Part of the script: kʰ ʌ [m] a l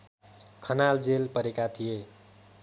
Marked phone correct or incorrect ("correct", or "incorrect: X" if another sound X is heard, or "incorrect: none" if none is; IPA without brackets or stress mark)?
incorrect: n